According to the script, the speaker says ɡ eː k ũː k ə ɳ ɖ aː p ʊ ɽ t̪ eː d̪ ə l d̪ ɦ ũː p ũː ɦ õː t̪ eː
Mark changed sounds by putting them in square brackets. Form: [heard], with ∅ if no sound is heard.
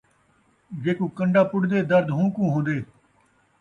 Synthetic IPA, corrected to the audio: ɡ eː k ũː k ə ɳ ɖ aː p ʊ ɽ [d̪] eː d̪ ə [ɾ] d̪ ɦ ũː [k] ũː ɦ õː [d̪] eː